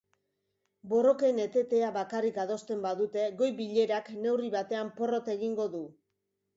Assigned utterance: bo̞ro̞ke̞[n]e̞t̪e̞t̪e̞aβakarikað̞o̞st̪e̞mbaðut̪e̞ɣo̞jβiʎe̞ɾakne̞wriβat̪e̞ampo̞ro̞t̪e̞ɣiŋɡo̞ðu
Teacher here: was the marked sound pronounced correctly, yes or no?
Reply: yes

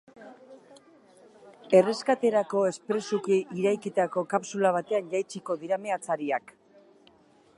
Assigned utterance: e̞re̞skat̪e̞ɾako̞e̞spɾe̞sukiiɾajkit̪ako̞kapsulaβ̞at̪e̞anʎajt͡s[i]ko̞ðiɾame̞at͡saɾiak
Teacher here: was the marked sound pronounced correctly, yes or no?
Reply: yes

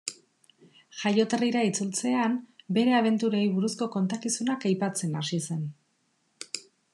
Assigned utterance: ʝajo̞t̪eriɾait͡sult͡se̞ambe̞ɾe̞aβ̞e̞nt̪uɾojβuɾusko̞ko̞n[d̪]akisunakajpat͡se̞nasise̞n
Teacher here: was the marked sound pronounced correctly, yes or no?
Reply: no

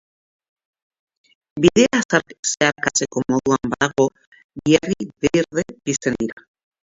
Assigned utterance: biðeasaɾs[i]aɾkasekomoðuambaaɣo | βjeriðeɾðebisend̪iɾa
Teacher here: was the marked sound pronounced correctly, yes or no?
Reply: no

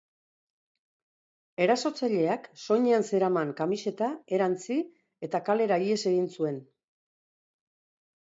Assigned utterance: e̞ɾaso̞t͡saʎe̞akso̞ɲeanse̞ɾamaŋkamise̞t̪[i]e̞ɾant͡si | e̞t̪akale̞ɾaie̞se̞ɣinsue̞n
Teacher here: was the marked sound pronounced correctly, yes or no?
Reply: no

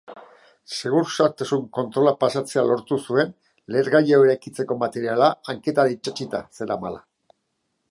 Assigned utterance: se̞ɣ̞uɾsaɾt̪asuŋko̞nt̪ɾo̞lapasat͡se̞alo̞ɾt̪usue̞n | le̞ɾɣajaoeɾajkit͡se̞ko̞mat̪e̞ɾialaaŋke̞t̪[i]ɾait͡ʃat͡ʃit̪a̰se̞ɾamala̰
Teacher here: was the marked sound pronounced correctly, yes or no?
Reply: no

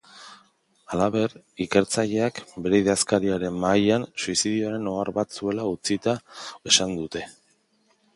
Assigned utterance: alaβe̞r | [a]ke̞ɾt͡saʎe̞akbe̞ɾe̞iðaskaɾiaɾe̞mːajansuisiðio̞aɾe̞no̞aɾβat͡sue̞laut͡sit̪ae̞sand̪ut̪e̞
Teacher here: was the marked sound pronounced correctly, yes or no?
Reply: no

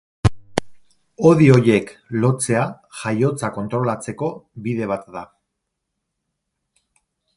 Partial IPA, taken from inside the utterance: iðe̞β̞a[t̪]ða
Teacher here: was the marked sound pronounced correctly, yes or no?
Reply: yes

